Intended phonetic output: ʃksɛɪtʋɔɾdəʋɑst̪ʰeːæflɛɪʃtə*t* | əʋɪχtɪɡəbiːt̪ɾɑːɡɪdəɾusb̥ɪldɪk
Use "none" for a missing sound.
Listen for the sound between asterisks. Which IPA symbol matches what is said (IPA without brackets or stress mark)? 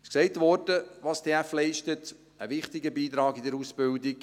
t